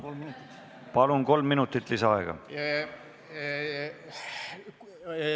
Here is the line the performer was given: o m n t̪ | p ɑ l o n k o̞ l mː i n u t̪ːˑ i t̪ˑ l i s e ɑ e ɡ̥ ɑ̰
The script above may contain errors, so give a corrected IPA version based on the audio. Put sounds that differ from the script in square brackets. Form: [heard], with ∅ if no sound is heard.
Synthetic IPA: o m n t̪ | p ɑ l [u] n k o̞ l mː i n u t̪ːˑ i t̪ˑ l i s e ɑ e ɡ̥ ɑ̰